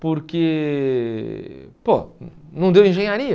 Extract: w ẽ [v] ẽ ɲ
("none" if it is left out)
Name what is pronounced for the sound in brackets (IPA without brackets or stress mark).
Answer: ʒ